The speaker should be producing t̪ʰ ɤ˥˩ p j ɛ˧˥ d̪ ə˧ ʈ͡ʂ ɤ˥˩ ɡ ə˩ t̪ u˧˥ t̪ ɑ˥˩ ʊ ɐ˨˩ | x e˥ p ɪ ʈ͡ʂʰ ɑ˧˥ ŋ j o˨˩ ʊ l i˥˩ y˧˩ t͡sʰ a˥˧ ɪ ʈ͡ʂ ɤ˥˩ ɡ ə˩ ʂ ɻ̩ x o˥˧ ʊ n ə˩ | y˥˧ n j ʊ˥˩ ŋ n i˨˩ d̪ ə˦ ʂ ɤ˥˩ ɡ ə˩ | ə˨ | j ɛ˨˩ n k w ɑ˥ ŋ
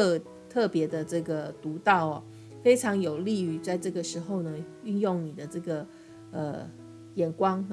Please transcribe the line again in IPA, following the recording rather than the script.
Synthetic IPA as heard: t̪ʰ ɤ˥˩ p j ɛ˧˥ d̪ ə˧ ʈ͡ʂ ɤ˥˩ ɡ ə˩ t̪ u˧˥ t̪ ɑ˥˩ ʊ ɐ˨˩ | f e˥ ɪ ʈ͡ʂʰ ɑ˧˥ ŋ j o˨˩ ʊ l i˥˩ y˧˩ t͡s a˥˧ ɪ ʈ͡ʂ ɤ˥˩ ɡ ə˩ ʂ ɻ̩ x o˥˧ ʊ n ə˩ | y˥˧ n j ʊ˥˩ ŋ n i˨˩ d̪ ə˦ ʈ͡ʂ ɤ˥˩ ɡ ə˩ | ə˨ | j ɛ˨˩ n k w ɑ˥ ŋ

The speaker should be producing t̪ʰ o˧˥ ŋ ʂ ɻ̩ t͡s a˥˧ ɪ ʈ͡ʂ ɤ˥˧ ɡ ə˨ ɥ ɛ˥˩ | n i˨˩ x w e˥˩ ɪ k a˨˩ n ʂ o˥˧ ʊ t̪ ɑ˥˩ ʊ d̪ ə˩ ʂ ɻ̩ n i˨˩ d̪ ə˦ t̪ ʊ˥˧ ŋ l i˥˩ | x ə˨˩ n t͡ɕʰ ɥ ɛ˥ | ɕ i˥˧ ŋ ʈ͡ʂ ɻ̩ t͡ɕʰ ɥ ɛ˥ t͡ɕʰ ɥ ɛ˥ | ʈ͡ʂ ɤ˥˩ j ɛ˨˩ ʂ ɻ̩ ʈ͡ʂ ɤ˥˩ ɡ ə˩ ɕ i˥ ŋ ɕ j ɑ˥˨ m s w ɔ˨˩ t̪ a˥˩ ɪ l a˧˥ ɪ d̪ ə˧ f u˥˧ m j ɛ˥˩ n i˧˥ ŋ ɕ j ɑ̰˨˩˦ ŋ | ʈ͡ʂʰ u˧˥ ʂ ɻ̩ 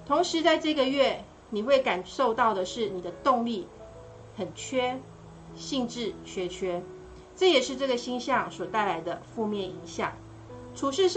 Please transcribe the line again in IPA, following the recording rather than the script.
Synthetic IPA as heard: t̪ʰ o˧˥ ŋ ʂ ɻ̩ t͡s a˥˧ ɪ ʈ͡ʂ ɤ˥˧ ɡ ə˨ ɥ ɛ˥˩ | n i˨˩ x w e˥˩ ɪ k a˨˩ n ʂ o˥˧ ʊ t̪ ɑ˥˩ ʊ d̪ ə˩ ʂ ɻ̩ n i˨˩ d̪ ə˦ t̪ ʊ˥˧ ŋ l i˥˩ | x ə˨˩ n t͡ɕʰ ɥ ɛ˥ | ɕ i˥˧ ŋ ʈ͡ʂ ɻ̩ t͡ɕʰ ɥ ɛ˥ t͡ɕʰ ɥ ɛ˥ | ʈ͡ʂ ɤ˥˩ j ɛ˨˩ ʂ ɻ̩ ʈ͡ʂ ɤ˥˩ ɡ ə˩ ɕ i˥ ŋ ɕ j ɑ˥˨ ŋ s w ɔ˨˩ t̪ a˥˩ ɪ l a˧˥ ɪ d̪ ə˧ f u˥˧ m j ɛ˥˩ n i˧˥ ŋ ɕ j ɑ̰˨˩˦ ŋ | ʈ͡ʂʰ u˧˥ ʂ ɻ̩

